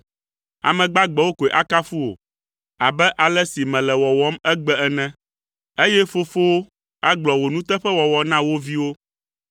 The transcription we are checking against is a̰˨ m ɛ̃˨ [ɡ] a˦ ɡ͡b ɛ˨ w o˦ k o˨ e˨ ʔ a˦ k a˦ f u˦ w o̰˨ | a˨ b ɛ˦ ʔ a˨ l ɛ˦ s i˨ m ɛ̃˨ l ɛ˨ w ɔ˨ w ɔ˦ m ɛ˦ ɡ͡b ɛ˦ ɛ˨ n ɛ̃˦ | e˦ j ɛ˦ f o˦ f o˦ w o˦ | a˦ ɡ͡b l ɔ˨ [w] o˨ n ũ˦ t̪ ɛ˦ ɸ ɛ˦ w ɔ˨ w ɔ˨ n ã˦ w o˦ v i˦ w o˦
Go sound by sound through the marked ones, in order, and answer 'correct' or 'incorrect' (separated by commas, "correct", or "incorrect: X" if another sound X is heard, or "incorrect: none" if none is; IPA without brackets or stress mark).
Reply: incorrect: ɡ͡b, correct